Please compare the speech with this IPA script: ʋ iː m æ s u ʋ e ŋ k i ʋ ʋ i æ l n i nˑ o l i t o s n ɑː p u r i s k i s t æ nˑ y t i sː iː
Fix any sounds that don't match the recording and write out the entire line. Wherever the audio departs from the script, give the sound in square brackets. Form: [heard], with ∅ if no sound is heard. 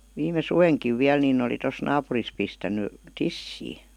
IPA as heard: ʋ iː m [e] s u ʋ e ŋ k i ʋ ʋ i æ l n i nˑ o l i t o s n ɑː p u r i s [p] i s t æ nˑ y t i sː iː